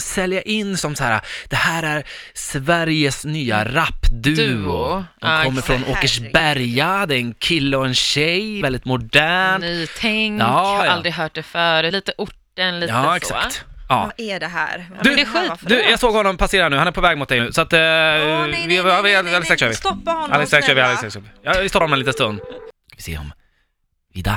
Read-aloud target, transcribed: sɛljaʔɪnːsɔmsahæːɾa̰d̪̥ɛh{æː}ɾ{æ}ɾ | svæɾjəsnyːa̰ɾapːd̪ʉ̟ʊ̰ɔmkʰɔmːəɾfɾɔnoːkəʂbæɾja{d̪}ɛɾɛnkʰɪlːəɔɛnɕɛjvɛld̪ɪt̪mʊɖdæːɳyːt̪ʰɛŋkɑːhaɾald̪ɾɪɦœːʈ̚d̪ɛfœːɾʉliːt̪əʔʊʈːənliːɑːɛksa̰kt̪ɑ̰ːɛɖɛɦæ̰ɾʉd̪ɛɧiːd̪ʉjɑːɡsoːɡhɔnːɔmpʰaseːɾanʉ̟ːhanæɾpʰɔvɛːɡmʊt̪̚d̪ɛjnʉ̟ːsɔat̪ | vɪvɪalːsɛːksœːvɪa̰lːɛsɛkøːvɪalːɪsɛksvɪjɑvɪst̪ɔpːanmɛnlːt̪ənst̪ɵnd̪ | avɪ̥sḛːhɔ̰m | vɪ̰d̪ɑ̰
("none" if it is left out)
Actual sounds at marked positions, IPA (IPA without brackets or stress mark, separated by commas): æː, æ, d̪